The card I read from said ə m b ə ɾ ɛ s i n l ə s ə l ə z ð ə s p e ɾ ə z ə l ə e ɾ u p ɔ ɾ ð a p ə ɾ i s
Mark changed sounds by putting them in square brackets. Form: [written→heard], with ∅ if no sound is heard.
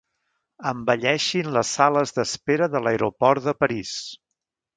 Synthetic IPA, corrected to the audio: ə m b ə [ɾ→ʎ] ɛ [s→ʃ] i n l ə s [ə→a] l ə z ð ə s p e ɾ ə [z→ð] ə l ə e ɾ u p ɔ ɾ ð [a→ə] p ə ɾ i s

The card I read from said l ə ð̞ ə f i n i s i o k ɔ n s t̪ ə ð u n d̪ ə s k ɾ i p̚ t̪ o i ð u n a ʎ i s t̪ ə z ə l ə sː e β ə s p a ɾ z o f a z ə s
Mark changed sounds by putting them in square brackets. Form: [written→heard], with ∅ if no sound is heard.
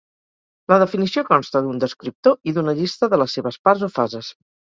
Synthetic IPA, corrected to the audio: l ə ð̞ ə f i n i s i o k ɔ n s t̪ ə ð u n d̪ ə s k ɾ i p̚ t̪ o i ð u n [a→ə] ʎ i s t̪ ə [z→ð] ə l ə sː e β ə s p a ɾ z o f a z ə s

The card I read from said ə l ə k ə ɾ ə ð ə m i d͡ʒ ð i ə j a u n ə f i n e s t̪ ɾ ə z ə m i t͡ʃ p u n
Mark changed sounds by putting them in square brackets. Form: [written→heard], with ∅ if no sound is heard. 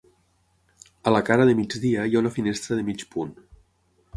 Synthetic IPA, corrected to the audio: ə l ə k [ə→a] ɾ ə ð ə m i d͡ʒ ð i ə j a u n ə f i n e s t̪ ɾ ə [z→ð] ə m i t͡ʃ p u n

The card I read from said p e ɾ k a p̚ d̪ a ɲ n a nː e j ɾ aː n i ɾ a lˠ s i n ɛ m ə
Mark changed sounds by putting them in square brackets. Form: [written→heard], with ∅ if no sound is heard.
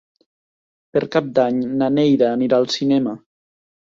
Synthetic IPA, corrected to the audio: p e ɾ k a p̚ d̪ a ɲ n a [nː→n] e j ɾ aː n i ɾ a lˠ s i n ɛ m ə

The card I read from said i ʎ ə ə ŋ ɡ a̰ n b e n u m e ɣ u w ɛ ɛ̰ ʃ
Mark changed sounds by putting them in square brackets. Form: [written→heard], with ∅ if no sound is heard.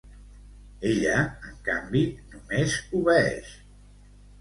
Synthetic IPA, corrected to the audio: [i→e] ʎ ə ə ŋ [ɡ→k] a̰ [n→m] b [e→i] n u m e [ɣ→z] u [w→β] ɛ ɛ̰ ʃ

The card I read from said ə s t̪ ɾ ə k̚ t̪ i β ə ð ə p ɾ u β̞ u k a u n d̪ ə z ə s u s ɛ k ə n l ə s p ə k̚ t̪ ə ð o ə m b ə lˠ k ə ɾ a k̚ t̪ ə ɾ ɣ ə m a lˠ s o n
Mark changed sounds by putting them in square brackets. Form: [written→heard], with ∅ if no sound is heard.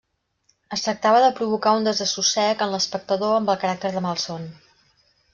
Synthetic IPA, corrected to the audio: ə s t̪ ɾ ə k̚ t̪ [i→a] β ə ð ə p ɾ u β̞ u k a u n d̪ ə z ə s u s ɛ k ə n l ə s p ə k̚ t̪ ə ð o ə m b ə lˠ k ə ɾ a k̚ t̪ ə ɾ [ɣ→ð] ə m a lˠ s o n

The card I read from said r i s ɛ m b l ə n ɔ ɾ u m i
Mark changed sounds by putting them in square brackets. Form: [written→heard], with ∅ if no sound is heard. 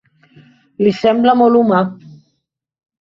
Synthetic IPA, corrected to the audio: [r→l] i s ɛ m b l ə [n→m] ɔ [ɾ→l] u m [i→a]

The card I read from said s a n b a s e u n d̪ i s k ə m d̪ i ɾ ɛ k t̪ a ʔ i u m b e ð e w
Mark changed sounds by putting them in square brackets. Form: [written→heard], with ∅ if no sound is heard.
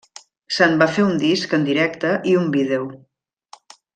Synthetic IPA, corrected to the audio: s a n b a [s→f] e u n d̪ i s k ə [m→n] d̪ i ɾ ɛ k t̪ [a→ə] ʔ i u m b [e→i] ð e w

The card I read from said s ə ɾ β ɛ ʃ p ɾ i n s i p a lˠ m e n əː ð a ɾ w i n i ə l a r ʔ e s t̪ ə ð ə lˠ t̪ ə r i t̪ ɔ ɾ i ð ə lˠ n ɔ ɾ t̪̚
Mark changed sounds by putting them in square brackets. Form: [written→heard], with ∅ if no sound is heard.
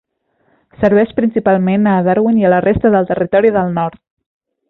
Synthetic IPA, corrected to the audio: s ə ɾ β ɛ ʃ p ɾ i n s i p a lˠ m e n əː ð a ɾ w i n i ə l [a→ə] r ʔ e s t̪ ə ð ə lˠ t̪ ə r i t̪ ɔ ɾ i ð ə lˠ n ɔ ɾ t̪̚

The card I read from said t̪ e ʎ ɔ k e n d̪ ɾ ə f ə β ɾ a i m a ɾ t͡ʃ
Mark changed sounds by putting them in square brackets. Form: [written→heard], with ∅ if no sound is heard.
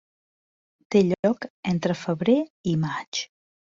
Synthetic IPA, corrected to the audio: t̪ e ʎ ɔ k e n [d̪→t̪] ɾ ə f ə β ɾ [a→e] i m a [ɾ→∅] t͡ʃ

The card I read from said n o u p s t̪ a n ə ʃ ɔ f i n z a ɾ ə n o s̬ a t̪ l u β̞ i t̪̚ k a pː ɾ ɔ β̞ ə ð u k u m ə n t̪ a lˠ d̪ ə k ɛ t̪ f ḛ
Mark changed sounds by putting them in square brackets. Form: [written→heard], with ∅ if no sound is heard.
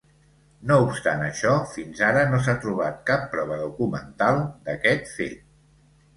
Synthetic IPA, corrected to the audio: n o u p s t̪ a n ə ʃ ɔ f i n z a ɾ ə n o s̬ a t̪ [l→ɾ] u β̞ [i→a] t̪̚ k a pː ɾ ɔ β̞ ə ð u k u m ə n t̪ a lˠ d̪ ə k ɛ t̪ f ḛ

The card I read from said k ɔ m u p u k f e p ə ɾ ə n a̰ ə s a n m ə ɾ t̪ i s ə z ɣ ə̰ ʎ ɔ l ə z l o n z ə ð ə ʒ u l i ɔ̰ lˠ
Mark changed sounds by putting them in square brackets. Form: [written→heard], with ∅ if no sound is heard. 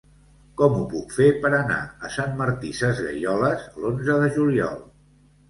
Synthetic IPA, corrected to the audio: k ɔ m u p u k f e p ə ɾ ə n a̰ ə s a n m ə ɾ t̪ i s ə z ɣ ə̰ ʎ ɔ l ə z l o n z ə ð ə ʒ u l i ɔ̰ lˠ

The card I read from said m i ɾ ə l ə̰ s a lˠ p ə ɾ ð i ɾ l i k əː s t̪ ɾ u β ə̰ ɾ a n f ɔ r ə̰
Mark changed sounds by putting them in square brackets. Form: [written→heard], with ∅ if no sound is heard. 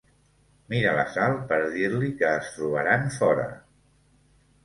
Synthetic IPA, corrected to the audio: m i ɾ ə l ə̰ s a lˠ p ə ɾ ð i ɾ l i k əː s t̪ ɾ u β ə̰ ɾ a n f ɔ [r→ɾ] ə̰

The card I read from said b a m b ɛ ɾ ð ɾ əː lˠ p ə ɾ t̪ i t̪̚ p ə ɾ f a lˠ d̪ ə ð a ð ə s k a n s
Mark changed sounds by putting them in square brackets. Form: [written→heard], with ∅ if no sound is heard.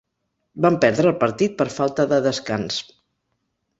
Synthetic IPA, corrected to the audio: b a m [b→p] ɛ ɾ ð ɾ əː lˠ p ə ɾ t̪ i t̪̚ p ə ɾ f a lˠ [d̪→t̪] ə ð [a→ə] ð ə s k a n s

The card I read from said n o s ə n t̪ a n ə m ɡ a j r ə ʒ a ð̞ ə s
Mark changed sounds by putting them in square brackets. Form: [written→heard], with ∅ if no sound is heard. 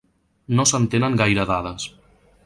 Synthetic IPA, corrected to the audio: n o s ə n t̪ [a→e] n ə [m→ŋ] ɡ a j [r→ɾ] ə [ʒ→ð] a ð̞ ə s

